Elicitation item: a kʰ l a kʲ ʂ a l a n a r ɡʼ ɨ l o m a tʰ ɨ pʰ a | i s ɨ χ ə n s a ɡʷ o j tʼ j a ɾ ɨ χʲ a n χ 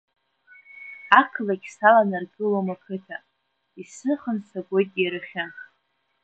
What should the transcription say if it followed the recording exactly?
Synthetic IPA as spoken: a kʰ l a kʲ s a l a n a r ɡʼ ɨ l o m a kʰ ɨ tʰ a | i s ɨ χ ə n s a ɡʷ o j tʼ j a ɾ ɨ χʲ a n χ